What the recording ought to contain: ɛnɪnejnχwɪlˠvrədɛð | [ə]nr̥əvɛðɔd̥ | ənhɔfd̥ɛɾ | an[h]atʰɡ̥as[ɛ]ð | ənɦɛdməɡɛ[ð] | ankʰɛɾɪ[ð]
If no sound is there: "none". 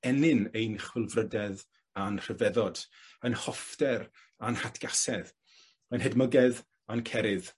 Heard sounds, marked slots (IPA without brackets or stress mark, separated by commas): a, h, ɛ, ð, ð